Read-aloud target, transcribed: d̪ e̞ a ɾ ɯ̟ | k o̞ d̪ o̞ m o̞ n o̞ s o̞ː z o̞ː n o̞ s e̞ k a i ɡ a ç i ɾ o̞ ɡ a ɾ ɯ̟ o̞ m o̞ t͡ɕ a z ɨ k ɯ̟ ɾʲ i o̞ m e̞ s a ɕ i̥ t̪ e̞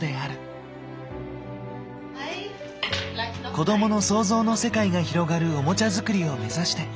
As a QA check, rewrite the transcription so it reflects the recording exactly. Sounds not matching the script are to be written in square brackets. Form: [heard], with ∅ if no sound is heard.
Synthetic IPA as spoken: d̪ e̞ a ɾ ɯ̟ | k o̞ d̪ o̞ m o̞ n o̞ s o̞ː z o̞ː n o̞ s e̞ k a i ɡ a ç i ɾ o̞ ɡ a ɾ ɯ̟ o̞ m o̞ t͡ɕ a z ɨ k ɯ̟ ɾʲ i o̞ m e̞ [z] a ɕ i̥ t̪ e̞